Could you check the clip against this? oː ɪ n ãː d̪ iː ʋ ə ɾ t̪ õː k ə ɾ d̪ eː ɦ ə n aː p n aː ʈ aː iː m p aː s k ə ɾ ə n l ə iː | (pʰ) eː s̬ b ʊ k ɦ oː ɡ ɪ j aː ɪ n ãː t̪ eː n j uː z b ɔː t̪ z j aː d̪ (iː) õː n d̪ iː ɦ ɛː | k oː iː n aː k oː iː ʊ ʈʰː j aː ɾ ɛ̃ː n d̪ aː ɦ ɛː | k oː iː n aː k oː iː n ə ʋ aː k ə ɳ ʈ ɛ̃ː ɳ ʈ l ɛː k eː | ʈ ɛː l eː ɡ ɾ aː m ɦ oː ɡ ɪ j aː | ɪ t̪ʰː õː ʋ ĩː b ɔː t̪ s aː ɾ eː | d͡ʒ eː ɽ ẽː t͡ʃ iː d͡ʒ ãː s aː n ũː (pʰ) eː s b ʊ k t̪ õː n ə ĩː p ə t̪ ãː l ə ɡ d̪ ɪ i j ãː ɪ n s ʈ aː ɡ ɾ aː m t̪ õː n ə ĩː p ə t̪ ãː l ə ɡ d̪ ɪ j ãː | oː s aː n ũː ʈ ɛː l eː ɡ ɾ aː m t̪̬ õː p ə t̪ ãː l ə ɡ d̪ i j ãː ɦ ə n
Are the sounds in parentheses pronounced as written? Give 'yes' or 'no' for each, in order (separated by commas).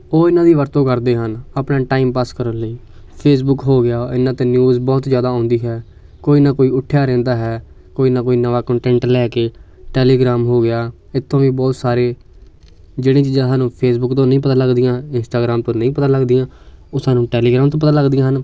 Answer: yes, no, yes